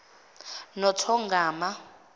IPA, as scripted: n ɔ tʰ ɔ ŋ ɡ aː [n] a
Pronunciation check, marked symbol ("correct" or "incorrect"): incorrect